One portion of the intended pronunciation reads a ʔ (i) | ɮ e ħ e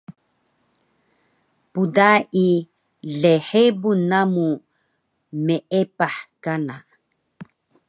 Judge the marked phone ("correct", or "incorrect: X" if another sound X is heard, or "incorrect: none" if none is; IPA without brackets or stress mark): correct